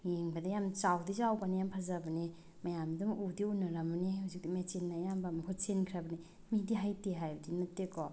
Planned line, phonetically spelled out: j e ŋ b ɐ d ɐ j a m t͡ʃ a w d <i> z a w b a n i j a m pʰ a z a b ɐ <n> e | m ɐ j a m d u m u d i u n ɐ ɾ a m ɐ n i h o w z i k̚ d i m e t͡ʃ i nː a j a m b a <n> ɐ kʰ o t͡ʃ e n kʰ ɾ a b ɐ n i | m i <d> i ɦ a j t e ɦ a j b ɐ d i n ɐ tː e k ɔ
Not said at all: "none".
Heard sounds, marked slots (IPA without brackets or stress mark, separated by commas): i, n, m, d